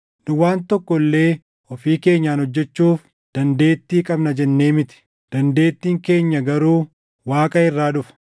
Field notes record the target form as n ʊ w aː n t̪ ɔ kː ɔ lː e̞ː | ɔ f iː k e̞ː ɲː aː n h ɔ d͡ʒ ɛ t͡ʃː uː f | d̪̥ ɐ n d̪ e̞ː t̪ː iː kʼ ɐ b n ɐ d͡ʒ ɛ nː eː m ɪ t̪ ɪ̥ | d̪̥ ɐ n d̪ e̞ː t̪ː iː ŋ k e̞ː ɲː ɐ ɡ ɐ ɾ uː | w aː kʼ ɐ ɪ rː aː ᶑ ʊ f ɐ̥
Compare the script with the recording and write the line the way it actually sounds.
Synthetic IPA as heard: n ʊ w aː n t̪ ɔ kː ɔ lː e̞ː | ɔ f iː k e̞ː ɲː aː n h ɔ d͡ʒː ɛ t͡ʃː uː f | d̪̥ ɐ n d̪ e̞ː t̪ː iː kʼ ɐ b n ɐ d͡ʒ ɛ nː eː m ɪ t̪ ɪ̥ | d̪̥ ɐ n d̪ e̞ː t̪ː iː ŋ k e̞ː ɲː ɐ ɡ ɐ ɾ uː | w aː kʼ ɐ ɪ rː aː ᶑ ʊ f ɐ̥

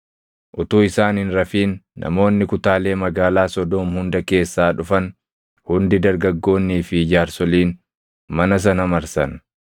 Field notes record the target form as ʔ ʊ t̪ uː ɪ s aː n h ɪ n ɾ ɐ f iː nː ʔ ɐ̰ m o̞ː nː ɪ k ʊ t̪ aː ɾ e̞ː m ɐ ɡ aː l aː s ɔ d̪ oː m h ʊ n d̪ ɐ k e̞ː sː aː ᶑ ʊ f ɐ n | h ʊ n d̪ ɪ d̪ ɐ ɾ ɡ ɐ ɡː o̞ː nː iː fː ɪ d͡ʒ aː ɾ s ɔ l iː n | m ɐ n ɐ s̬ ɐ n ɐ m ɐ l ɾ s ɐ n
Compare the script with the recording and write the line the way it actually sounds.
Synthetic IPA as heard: ʔ ʊ t̪ uː ɪ s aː n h ɪ n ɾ ɐ f iː nː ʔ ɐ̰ m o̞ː nː ɪ k ʊ t̪ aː l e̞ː m ɐ ɡ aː l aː s ɔ d̪ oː m h ʊ n d̪ ɐ k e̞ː sː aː ᶑ ʊ f ɐ n | h ʊ n d̪ ɪ d̪ ɐ ɾ ɡ ɐ ɡː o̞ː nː iː f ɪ d͡ʒ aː ɾ s ɔ l iː n | m ɐ n ɐ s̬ ɐ n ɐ m ɐ ɾ s ɐ n

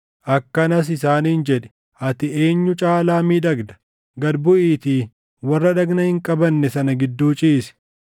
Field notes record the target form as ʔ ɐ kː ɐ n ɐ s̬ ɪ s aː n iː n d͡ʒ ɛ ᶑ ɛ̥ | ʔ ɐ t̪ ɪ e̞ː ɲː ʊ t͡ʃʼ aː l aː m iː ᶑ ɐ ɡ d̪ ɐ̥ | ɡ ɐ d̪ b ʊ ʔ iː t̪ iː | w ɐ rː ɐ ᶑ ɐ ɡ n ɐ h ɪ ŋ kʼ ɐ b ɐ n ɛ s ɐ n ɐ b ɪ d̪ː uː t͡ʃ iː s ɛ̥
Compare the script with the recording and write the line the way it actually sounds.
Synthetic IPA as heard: ʔ ɐ kː ɐ n ɐ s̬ ɪ s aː n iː n d͡ʒ ɛ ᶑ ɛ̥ | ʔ ɐ t̪ ɪ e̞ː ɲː ʊ t͡ʃʼ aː l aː m iː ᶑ ɐ ɡ d̪ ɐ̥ | ɡ ɐ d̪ b ʊ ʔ iː t̪ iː | w ɐ rː ɐ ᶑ ɐ ɡ n ɐ h ɪ ŋ kʼ ɐ b ɐ nː ɛ s ɐ n ɐ ɡ ɪ d̪ː uː t͡ʃʼ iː s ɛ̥

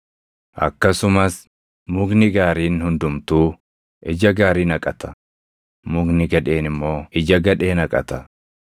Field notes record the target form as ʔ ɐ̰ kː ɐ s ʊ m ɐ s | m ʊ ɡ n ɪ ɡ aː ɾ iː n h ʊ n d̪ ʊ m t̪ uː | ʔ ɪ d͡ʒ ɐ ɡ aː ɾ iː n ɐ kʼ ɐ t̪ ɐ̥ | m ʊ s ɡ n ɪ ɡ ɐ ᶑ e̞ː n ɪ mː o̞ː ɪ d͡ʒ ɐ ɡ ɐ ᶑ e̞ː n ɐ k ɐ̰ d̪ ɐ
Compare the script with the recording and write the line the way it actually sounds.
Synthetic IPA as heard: ʔ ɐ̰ kː ɐ s ʊ m ɐ s | m ʊ ɡ n ɪ ɡ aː ɾ iː n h ʊ n d̪ ʊ m t̪ uː | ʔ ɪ d͡ʒ ɐ ɡ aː ɾ iː n ɐ kʼ ɐ t̪ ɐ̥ | m ʊ ɡ n ɪ ɡ ɐ ᶑ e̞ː n ɪ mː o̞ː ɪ d͡ʒ ɐ ɡ ɐ ᶑ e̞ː n ɐ kʼ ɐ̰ t̪ ɐ

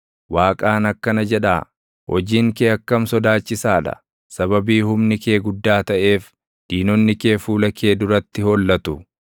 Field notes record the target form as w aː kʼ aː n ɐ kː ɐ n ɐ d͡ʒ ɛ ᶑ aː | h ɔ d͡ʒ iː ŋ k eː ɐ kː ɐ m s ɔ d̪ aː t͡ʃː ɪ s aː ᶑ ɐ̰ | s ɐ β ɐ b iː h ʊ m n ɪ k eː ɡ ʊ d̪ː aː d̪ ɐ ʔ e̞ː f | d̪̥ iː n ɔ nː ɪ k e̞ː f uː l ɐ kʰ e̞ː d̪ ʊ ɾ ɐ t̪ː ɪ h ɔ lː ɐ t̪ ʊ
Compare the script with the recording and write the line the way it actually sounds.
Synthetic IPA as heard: w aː kʼ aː n ɐ kː ɐ n ɐ d͡ʒ ɛ ᶑ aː | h ɔ d͡ʒ iː ŋ k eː ɐ kː ɐ m s ɔ d̪ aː t͡ʃː ɪ s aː ᶑ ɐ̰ | s ɐ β ɐ b iː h ʊ m n ɪ k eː ɡ ʊ d̪ː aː t̪ ɐ ʔ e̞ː f | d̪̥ iː n ɔ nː ɪ k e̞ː f uː l ɐ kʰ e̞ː d̪ ʊ ɾ ɐ t̪ː ɪ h ɔ lː ɐ t̪ ʊ

